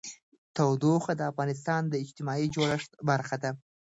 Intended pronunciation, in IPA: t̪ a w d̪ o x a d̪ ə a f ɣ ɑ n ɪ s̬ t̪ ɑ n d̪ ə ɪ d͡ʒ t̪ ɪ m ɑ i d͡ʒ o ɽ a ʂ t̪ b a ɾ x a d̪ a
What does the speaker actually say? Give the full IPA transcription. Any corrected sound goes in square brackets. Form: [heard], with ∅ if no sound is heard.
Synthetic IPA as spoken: t̪ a w d̪ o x a d̪ ə a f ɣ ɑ n ɪ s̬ t̪ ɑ n d̪ ə ɪ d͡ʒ t̪ ɪ m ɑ i d͡ʒ o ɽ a ʂ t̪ b a ɾ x a d̪ a